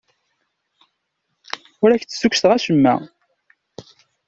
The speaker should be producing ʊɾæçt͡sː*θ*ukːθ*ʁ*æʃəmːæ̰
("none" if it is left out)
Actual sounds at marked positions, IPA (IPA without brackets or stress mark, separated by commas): s, ʁ